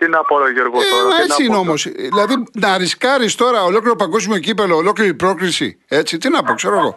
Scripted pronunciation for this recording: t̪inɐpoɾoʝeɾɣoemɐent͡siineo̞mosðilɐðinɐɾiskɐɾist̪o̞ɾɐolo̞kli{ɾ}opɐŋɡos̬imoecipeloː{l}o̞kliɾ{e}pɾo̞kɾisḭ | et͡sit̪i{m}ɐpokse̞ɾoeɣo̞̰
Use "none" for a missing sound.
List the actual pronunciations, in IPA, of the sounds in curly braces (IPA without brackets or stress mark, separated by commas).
ɾ, l, i, n